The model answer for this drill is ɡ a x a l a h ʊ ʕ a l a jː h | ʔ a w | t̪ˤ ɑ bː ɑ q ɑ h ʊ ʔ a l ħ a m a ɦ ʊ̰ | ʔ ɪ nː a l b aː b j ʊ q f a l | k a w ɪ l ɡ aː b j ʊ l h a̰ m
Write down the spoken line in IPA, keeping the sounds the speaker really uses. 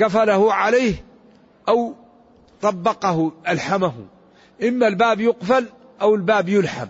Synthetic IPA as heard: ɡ a f a l a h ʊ ʕ a l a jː h | ʔ a w | t̪ˤ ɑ bː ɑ q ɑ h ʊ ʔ a l ħ a m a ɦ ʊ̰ | ʔ ɪ mː a l b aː b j ʊ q f a l | ʔ a w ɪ l b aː b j ʊ l ħ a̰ m